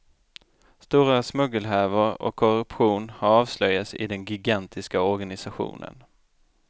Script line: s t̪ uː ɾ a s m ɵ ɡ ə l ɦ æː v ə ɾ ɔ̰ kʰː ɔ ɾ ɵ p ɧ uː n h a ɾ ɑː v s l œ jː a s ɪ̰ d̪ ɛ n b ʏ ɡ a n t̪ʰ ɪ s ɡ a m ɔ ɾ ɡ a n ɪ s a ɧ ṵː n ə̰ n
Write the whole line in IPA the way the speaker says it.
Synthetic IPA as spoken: s t̪ uː ɾ a s m ɵ ɡ ə l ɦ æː v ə ɾ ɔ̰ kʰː ɔ ɾ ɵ p ɧ uː n h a ɾ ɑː v s l œ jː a s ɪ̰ d̪ ɛ n ɡ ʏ ɡ a n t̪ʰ ɪ s k a ɔ ɾ ɡ a n ɪ s a ɧ ṵː n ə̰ n